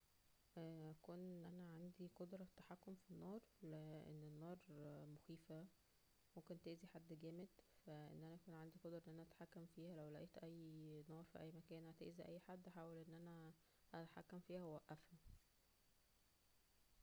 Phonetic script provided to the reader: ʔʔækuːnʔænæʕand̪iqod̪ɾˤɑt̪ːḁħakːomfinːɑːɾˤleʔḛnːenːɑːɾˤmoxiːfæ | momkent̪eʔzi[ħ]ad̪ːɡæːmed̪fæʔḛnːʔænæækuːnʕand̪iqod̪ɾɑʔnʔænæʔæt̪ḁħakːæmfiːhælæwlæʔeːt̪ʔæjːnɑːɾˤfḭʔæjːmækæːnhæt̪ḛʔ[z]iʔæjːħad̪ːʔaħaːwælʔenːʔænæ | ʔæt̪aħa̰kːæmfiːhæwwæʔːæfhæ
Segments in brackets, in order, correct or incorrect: correct, correct

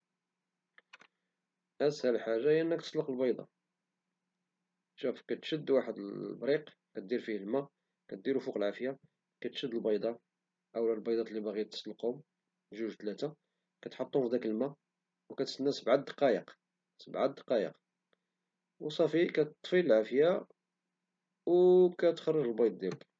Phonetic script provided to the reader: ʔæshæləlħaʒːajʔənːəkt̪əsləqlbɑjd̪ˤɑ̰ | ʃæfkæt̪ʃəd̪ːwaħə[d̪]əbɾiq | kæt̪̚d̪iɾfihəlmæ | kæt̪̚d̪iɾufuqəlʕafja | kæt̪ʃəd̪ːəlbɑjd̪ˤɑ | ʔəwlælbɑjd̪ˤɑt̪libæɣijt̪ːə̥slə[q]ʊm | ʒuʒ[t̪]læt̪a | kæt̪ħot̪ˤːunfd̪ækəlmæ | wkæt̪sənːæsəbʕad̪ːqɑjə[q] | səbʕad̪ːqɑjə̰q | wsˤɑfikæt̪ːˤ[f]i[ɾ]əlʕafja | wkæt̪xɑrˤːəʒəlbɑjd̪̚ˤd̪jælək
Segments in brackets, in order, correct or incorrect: correct, correct, correct, correct, correct, incorrect

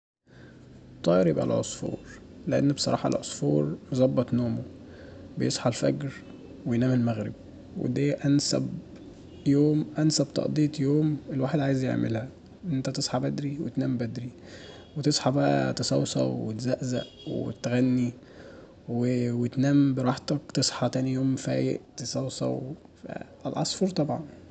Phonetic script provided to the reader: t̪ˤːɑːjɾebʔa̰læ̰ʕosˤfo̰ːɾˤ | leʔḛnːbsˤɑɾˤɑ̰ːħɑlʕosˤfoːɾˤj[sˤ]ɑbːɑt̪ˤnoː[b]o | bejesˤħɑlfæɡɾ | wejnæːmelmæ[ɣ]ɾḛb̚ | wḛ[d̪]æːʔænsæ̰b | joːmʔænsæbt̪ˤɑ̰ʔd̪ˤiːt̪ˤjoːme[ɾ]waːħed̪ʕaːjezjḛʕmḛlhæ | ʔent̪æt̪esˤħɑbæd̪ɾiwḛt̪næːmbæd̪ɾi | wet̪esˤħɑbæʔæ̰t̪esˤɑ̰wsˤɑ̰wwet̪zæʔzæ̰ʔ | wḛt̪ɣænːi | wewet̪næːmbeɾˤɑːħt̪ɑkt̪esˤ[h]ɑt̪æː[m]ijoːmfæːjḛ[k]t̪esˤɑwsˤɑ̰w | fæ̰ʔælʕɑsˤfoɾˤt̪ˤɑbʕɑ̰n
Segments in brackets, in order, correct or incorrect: incorrect, incorrect, correct, correct, incorrect, incorrect, incorrect, incorrect

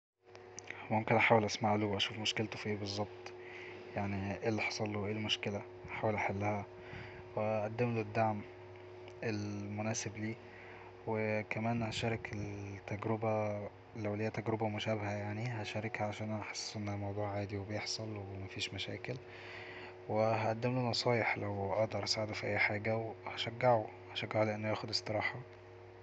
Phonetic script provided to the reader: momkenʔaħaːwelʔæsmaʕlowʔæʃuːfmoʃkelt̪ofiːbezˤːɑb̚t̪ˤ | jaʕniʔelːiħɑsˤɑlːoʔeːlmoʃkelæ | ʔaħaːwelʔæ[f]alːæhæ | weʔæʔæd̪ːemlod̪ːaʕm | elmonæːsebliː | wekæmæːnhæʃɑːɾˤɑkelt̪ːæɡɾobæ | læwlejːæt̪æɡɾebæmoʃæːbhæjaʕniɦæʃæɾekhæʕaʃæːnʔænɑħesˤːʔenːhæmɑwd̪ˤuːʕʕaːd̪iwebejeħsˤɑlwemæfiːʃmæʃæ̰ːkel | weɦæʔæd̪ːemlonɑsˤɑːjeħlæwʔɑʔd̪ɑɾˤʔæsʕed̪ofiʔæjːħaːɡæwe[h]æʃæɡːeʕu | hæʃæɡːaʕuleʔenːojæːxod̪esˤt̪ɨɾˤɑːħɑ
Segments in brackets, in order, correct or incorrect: incorrect, correct

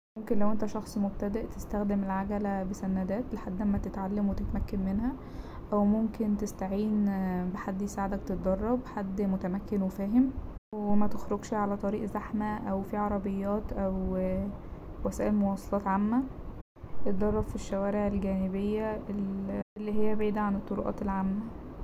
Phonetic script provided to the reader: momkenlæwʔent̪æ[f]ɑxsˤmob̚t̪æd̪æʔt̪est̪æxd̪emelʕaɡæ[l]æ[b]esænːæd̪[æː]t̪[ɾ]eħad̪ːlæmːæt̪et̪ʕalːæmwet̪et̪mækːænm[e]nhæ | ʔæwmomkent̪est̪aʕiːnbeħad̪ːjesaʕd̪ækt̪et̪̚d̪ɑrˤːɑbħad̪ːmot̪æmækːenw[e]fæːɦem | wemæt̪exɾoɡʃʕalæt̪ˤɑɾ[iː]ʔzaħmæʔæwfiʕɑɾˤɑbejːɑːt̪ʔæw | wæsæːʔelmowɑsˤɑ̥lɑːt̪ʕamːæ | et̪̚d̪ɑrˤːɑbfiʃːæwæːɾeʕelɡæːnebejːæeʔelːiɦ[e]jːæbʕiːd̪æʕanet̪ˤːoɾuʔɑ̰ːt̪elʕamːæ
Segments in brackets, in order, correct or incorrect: incorrect, correct, correct, correct, incorrect, correct, correct, correct, correct

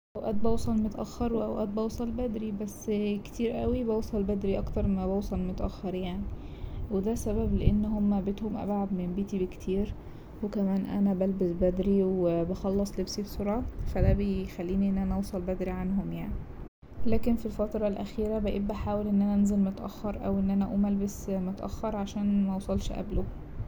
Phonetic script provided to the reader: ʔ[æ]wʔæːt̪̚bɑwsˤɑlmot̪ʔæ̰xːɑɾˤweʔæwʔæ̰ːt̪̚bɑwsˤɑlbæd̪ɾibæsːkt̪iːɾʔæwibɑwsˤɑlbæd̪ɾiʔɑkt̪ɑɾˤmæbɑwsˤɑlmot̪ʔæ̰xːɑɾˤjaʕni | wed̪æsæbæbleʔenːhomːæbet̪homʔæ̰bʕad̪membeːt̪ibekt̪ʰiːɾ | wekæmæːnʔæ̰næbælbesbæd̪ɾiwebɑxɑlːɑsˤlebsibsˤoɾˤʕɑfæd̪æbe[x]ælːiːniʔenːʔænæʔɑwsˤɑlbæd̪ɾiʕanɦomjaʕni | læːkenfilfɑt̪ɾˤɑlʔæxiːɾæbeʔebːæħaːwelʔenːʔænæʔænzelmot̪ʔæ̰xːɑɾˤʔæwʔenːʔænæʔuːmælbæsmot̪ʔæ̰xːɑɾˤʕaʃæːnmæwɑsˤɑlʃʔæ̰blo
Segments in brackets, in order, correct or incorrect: correct, correct

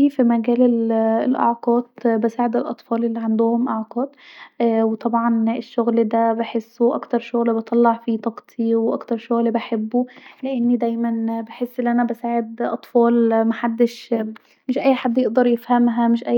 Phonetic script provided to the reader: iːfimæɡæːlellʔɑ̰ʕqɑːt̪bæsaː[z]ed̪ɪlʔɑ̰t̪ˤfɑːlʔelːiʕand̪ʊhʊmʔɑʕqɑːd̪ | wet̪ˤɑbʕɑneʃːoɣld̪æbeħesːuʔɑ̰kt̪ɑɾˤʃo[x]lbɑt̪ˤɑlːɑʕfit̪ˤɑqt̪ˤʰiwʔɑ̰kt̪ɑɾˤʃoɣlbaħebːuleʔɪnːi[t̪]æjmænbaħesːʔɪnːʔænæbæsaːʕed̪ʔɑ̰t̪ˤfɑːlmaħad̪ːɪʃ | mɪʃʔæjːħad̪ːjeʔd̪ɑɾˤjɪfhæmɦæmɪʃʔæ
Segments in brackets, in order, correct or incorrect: incorrect, incorrect, incorrect

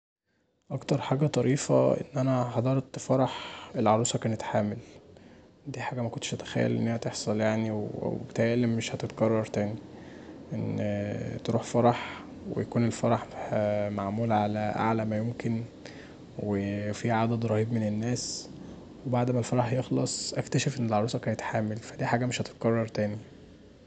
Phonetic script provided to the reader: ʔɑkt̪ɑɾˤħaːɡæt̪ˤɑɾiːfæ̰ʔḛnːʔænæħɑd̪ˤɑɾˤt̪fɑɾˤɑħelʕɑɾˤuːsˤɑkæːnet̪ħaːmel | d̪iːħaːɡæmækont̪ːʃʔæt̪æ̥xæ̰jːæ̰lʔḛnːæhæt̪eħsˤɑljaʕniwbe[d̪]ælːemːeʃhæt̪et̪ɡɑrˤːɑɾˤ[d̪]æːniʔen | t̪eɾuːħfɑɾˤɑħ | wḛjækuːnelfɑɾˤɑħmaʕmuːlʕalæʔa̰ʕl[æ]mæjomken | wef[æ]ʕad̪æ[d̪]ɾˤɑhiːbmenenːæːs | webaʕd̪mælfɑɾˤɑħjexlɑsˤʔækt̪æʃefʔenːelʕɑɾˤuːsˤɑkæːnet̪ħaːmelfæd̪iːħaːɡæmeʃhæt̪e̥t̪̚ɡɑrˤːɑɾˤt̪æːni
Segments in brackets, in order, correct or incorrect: incorrect, incorrect, correct, incorrect, correct

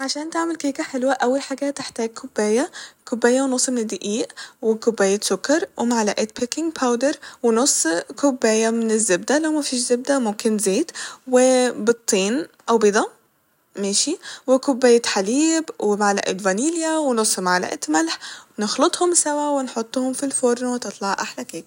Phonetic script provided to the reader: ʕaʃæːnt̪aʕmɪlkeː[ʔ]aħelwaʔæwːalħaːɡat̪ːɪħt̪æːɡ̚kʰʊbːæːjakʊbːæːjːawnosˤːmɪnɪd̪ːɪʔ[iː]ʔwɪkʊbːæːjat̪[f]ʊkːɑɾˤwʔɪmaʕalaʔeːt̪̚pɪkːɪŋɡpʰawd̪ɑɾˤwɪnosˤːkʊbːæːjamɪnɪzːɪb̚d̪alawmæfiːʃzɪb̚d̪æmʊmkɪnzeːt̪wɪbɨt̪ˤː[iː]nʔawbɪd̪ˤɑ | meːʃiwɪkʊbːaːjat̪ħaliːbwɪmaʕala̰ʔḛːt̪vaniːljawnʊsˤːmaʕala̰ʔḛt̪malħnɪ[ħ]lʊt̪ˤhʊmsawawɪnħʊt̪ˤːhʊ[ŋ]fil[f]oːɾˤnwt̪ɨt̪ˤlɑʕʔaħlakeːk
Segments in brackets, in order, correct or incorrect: incorrect, correct, incorrect, correct, incorrect, incorrect, correct

